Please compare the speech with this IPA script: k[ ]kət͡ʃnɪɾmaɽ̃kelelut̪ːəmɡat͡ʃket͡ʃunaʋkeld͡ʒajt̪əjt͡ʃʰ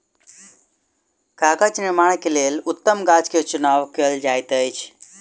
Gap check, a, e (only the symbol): a